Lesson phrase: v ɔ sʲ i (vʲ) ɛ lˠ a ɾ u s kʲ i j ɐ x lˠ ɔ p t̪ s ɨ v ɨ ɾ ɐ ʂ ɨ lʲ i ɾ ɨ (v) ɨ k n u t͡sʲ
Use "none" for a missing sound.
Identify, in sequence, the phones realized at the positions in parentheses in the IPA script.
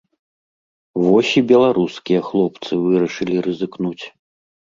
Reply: bʲ, z

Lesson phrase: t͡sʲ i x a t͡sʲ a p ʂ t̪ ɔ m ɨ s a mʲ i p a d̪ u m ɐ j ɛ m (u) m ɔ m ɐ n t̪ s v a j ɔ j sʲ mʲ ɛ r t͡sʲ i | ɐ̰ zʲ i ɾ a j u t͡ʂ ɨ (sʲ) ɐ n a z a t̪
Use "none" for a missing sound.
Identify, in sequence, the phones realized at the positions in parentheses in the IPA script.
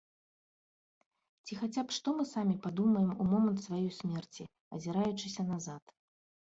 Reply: u, sʲ

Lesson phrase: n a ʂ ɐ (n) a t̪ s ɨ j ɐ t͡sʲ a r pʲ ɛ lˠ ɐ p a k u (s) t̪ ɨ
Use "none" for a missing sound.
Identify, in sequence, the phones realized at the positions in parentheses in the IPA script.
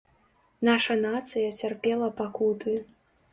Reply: n, none

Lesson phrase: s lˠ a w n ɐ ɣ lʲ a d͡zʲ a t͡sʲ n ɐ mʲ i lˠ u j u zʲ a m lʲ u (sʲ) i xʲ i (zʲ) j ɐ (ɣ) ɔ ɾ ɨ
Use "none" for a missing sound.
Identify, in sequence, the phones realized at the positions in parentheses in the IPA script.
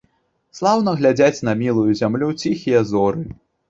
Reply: t͡sʲ, none, z

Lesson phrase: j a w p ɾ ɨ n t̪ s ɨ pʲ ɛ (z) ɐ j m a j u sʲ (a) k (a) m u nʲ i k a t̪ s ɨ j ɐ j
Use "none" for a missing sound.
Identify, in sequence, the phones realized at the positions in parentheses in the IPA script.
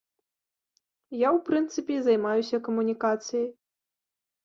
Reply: z, ɐ, ɐ

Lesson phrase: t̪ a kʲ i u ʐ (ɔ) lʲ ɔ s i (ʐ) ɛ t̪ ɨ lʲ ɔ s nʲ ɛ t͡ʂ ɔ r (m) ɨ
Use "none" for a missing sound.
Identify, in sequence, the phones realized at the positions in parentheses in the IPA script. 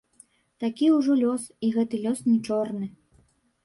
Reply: ɔ, ɣ, n

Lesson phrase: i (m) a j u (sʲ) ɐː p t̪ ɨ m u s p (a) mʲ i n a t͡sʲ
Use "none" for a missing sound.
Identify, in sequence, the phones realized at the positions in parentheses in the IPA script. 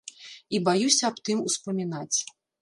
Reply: b, sʲ, ɐ

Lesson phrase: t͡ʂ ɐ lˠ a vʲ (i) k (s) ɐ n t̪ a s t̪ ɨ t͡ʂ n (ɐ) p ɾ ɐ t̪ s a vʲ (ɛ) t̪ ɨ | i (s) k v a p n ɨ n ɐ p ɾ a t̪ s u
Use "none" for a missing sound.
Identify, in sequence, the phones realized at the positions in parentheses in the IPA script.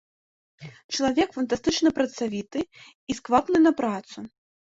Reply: ɛ, f, ɐ, i, s

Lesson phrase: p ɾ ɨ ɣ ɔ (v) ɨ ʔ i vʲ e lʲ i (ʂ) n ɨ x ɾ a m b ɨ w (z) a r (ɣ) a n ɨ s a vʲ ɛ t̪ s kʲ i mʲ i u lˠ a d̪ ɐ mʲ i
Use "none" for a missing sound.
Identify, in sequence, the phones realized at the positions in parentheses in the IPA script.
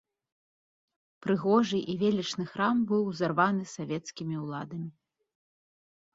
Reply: ʐ, t͡ʂ, z, v

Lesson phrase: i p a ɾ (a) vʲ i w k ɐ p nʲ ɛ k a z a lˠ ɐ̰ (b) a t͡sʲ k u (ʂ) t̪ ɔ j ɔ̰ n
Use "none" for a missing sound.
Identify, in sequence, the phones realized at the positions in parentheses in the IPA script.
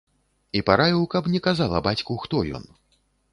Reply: a, b, x

